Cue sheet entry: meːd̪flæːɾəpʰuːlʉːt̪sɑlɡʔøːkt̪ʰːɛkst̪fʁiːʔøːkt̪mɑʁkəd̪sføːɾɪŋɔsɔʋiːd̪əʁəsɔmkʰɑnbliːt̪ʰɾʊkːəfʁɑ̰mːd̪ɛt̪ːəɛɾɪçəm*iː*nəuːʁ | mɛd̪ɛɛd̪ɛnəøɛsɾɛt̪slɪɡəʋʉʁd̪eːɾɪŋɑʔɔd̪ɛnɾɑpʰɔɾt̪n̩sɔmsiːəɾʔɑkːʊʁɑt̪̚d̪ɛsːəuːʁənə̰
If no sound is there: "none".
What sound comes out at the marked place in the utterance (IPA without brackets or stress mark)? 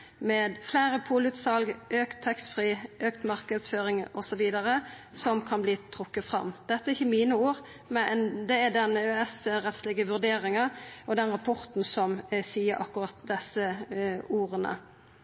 iː